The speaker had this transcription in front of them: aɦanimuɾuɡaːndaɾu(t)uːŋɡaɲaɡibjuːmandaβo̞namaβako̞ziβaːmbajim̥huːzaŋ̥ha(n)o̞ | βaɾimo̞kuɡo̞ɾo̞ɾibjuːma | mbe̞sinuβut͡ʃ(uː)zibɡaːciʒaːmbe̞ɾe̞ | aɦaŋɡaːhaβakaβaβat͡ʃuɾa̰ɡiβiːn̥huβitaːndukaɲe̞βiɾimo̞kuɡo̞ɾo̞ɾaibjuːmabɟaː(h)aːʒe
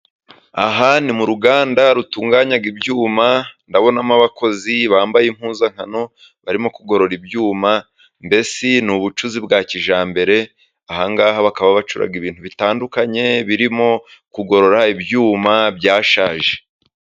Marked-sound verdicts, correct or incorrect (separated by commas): correct, correct, incorrect, incorrect